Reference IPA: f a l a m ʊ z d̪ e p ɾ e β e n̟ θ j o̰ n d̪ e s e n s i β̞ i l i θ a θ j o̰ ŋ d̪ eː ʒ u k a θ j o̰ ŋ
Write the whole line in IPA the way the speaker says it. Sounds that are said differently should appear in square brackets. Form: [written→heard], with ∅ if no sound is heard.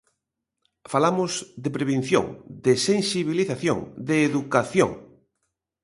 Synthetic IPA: f a l a m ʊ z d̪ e p ɾ e β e n̟ θ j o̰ [n→ŋ] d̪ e s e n s i β̞ i l i θ a θ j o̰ ŋ d̪ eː [ʒ→ð] u k a θ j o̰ ŋ

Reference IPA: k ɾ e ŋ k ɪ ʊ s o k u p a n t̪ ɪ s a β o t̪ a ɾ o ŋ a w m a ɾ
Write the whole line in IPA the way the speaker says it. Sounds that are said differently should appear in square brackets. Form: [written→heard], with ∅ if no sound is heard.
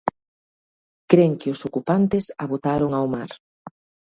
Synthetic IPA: k ɾ e ŋ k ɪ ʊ s o k u p a n t̪ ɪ s a β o t̪ a ɾ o ŋ a w m a ɾ

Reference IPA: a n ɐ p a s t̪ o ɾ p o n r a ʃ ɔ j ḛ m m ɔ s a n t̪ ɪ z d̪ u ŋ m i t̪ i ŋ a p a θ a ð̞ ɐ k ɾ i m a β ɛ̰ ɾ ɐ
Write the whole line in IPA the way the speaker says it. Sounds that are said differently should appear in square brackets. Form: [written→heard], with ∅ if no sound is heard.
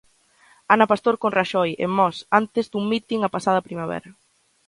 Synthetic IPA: a n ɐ p a s t̪ o ɾ [p→k] o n r a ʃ ɔ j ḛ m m ɔ s a n t̪ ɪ z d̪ u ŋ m i t̪ i ŋ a p a [θ→s] a ð̞ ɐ [k→p] ɾ i m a β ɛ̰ ɾ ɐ

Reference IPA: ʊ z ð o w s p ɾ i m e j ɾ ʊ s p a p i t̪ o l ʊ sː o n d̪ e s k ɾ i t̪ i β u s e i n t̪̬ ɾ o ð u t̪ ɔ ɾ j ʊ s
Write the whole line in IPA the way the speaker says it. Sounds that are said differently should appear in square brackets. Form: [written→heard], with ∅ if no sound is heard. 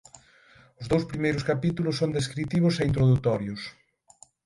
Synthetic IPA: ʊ z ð o w s p ɾ i m e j ɾ ʊ s [p→k] a p i t̪ [o→u] l ʊ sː o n d̪ e s k ɾ i t̪ i β [u→ʊ] s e i n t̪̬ ɾ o ð u t̪ ɔ ɾ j ʊ s

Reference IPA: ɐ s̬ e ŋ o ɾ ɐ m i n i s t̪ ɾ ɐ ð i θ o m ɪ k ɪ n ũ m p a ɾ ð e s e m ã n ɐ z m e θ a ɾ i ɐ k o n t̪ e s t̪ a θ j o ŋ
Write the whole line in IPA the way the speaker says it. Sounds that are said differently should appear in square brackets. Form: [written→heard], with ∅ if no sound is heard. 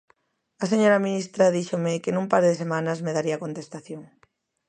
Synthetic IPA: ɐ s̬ e [ŋ→ɲ] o ɾ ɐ m i n i s t̪ ɾ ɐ ð i [θ→ʃ] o m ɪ k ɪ n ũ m p a ɾ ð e s e m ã n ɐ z m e [θ→ð] a ɾ i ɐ k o n t̪ e s t̪ a θ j o ŋ

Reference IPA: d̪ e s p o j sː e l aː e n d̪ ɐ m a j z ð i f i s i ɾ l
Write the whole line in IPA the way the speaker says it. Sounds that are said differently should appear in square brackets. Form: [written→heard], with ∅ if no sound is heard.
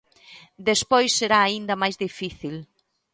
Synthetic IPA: d̪ e s p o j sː e [l→ɾ] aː [e→i] n d̪ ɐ m a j z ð i f i [s→θ] i [ɾ→∅] l

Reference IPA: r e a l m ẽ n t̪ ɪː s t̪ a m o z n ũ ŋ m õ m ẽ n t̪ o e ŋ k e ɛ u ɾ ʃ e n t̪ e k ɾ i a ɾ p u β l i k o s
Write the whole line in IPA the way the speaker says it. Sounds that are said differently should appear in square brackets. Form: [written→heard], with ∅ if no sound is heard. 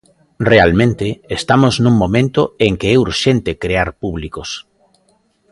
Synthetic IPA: r e a l m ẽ n t̪ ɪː s t̪ a m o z n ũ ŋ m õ m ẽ n t̪ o e ŋ k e ɛ u ɾ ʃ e n t̪ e k ɾ [i→e] a ɾ p u β l i k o s

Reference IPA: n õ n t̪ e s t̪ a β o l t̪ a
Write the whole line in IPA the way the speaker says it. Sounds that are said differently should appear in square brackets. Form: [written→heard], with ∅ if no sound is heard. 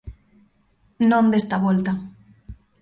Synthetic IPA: n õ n [t̪→d̪] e s t̪ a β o l t̪ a

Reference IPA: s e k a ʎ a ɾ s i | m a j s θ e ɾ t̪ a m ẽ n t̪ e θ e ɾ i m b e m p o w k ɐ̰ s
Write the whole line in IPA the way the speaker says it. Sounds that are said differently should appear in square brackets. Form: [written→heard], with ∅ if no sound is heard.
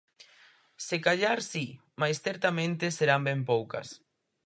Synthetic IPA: s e k a ʎ a ɾ s i | m a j s θ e ɾ t̪ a m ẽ n t̪ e [θ→s] e ɾ [i→a] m b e m p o w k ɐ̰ s

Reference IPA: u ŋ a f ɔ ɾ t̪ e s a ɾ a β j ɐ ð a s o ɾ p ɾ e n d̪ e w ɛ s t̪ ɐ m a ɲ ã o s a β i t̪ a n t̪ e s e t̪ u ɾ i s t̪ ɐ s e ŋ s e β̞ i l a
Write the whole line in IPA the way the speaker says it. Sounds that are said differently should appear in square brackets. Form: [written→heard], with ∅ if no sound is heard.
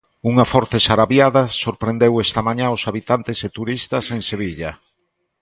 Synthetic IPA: u ŋ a f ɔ ɾ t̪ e s a ɾ a β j [ɐ→a] ð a s o ɾ p ɾ e n d̪ e w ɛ s t̪ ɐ m a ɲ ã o s a β i t̪ a n t̪ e s e t̪ u ɾ i s t̪ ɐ s e ŋ s e β̞ i [l→ʎ] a

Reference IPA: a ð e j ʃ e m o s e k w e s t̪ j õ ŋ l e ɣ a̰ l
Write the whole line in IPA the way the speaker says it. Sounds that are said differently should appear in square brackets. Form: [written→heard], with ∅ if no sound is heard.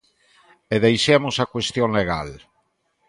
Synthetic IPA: [a→e] ð e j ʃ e m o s [e→a] k w e s t̪ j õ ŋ l e ɣ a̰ l

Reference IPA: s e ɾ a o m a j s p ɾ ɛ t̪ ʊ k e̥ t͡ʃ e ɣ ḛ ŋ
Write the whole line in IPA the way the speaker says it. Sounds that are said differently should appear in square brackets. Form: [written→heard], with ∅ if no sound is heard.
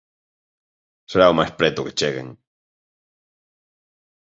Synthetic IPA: s e ɾ a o m a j s p ɾ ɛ t̪ ʊ k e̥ t͡ʃ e ɣ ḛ ŋ

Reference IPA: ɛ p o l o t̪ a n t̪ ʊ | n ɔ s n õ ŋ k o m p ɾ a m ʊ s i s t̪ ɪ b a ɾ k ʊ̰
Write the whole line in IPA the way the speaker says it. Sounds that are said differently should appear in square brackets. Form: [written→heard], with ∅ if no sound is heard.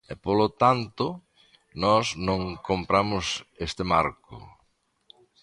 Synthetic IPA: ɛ p o l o t̪ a n t̪ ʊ | n ɔ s n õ ŋ k o m p ɾ a m ʊ s [i→e] s t̪ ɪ [b→m] a ɾ k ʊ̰

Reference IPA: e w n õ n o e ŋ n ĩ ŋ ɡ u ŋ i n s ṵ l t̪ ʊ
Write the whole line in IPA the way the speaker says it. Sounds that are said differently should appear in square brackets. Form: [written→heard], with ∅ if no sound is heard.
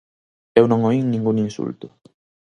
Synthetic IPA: e w n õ [n→ŋ] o [e→i] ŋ n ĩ ŋ ɡ u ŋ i n s ṵ l t̪ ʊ

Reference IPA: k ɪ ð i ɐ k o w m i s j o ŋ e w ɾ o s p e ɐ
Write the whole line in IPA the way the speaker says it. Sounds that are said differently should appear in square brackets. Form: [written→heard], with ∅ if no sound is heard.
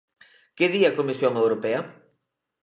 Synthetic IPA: k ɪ ð i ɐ k o [w→∅] m i s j o ŋ e w ɾ o [s→∅] p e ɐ

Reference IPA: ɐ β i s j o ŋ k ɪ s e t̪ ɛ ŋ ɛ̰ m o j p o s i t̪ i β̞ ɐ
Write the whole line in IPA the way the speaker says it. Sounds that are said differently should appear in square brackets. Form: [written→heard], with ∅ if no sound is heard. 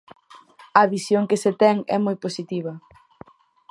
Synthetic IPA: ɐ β i s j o ŋ k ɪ s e t̪ ɛ ŋ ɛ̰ m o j p o s i t̪ i β̞ ɐ

